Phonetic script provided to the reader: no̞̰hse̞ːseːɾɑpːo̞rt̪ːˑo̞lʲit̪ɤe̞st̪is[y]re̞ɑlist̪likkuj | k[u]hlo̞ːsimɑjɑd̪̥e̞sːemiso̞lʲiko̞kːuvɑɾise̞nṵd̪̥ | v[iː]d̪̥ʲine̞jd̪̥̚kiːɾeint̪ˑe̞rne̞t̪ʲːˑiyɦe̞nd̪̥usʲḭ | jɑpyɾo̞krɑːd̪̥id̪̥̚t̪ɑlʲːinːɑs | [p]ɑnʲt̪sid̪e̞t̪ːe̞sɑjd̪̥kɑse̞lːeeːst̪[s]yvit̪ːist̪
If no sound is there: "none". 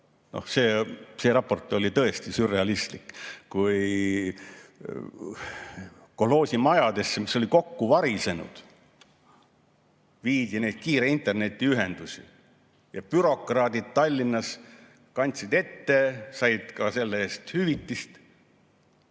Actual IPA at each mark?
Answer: y, o, iː, k, h

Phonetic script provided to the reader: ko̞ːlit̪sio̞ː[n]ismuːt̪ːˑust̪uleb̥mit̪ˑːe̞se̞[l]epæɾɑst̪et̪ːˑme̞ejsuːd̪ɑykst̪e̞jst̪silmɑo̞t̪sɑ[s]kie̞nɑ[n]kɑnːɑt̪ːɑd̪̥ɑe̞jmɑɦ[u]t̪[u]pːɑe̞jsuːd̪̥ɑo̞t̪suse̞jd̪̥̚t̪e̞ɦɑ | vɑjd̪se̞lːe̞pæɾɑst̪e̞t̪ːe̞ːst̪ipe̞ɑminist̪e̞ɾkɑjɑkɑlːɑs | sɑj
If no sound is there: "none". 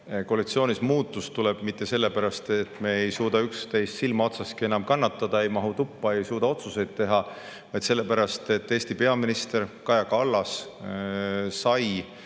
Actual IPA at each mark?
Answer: n, lː, s, m, u, u

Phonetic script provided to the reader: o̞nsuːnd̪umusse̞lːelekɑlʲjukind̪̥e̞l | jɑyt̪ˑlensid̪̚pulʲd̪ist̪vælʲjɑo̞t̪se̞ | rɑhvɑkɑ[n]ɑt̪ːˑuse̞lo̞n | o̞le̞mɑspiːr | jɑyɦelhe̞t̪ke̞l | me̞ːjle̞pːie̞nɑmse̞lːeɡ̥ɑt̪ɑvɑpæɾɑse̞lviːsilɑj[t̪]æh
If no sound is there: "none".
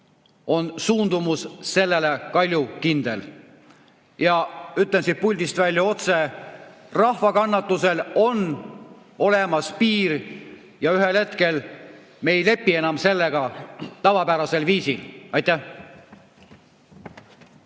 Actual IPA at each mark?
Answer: nː, t̪

